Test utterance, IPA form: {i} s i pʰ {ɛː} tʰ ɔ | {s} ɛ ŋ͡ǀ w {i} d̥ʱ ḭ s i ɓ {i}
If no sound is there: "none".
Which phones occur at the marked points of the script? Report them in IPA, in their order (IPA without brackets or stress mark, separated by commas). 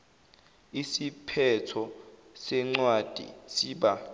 i, ɛ, s, a, a